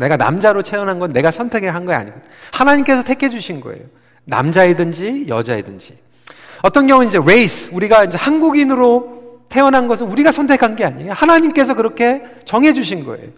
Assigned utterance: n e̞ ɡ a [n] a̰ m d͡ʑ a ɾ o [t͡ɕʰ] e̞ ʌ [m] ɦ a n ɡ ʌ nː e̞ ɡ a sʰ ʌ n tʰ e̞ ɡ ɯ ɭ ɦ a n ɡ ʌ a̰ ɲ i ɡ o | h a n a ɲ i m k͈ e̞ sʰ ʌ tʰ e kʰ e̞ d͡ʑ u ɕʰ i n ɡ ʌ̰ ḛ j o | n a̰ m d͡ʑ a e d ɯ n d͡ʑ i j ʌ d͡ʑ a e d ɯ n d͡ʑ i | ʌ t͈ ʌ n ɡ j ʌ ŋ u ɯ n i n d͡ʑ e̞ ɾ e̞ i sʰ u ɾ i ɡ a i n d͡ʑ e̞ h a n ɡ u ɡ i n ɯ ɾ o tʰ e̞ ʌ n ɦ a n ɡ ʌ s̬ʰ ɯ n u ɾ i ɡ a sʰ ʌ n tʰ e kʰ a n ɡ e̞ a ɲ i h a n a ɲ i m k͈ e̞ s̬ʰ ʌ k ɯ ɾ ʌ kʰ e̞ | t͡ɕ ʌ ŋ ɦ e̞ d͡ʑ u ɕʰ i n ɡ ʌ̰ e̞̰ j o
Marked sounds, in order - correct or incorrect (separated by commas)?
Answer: correct, correct, incorrect